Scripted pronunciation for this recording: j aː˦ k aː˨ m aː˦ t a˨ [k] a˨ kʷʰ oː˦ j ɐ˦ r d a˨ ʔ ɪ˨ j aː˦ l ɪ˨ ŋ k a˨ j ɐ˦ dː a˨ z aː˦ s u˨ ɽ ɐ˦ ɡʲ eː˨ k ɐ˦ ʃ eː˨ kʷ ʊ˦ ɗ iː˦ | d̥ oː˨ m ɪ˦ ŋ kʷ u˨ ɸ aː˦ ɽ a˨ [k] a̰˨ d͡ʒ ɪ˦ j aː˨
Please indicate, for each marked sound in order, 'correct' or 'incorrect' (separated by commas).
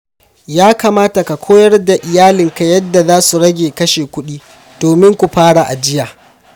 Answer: correct, incorrect